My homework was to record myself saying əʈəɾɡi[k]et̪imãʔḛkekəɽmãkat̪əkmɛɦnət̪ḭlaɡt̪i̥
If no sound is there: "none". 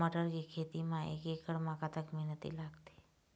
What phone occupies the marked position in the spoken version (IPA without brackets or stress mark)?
kʰ